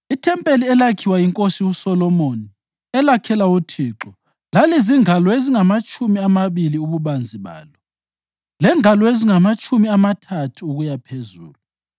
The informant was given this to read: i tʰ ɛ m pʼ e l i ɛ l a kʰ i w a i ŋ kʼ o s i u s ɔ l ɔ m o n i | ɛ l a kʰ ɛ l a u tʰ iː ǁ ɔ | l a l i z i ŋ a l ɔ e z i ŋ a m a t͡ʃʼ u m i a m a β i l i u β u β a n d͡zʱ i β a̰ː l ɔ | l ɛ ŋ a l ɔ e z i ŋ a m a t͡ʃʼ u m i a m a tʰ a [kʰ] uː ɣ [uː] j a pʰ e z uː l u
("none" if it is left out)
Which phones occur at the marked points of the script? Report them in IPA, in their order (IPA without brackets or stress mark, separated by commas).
tʰ, u